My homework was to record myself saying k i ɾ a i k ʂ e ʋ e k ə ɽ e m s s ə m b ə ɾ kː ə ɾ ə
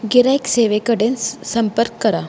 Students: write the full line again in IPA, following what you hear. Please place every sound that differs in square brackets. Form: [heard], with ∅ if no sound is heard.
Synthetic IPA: [ɡ] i ɾ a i k [s] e ʋ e k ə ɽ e [n] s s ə m [p] ə ɾ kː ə ɾ [a]